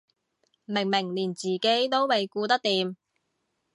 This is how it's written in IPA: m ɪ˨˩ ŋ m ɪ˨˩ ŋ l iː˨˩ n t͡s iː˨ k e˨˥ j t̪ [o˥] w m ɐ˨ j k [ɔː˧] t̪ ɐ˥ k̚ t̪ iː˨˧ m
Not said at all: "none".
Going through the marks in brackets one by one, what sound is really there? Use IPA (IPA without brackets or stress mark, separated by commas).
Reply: o˥, uː˧